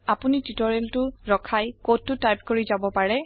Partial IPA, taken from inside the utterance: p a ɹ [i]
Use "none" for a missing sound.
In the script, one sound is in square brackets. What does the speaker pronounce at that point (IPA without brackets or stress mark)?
ɛ